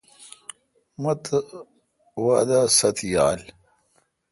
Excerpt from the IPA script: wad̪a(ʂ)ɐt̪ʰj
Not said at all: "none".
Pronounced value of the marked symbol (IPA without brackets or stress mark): s